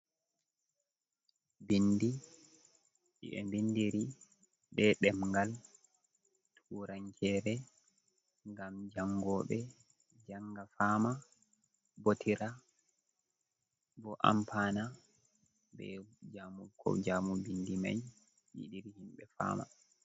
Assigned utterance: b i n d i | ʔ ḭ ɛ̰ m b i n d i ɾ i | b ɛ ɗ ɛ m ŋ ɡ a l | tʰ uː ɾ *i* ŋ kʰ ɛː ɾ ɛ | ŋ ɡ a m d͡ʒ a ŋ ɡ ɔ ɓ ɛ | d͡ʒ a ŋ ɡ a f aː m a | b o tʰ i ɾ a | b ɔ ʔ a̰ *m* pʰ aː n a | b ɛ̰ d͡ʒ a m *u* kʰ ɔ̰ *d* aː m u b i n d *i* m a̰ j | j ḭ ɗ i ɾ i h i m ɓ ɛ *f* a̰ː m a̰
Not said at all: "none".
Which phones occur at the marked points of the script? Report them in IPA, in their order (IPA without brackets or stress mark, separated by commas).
a, m, u, d͡ʒ, i, f